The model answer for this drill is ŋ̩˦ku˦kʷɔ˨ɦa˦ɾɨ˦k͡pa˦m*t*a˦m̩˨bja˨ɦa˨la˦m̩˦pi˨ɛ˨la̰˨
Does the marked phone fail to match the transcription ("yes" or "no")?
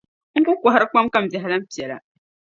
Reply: yes